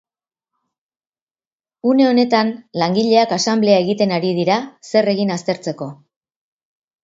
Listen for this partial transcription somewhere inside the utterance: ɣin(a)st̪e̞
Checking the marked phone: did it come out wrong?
no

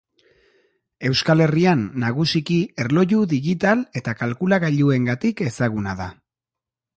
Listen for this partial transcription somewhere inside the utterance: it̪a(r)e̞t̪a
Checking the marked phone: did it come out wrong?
yes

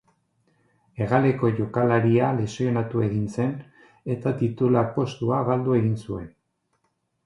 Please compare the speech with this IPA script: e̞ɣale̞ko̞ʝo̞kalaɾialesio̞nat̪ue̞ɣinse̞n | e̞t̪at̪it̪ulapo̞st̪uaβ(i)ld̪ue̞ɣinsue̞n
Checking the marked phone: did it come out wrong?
yes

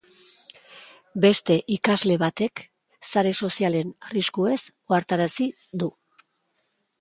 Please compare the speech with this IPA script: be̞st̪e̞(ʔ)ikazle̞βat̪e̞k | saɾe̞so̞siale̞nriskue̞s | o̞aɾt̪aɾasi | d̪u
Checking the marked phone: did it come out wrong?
no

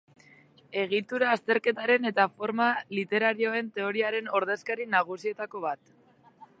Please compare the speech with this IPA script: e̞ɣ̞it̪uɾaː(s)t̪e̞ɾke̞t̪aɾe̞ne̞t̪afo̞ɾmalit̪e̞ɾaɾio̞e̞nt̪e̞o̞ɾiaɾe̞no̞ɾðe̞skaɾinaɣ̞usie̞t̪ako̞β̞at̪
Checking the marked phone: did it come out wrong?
no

